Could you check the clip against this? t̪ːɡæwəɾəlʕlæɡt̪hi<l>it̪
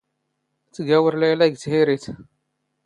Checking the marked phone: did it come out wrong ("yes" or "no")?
yes